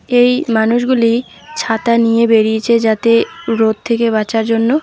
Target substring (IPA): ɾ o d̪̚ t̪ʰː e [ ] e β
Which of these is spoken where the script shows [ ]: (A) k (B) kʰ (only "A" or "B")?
A